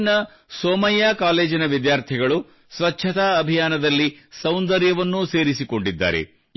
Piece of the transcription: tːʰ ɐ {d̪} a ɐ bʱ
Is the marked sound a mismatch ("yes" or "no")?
yes